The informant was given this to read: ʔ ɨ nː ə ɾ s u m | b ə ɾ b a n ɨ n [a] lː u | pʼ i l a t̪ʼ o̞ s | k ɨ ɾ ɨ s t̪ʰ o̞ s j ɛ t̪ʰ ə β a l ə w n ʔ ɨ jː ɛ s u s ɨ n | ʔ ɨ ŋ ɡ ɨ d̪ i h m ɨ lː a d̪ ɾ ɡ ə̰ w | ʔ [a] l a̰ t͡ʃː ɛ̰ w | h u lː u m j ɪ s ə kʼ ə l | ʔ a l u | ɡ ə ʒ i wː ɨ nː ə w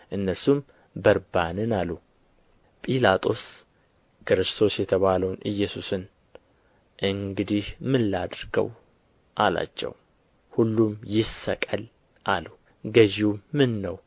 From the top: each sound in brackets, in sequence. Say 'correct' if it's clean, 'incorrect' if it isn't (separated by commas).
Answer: correct, correct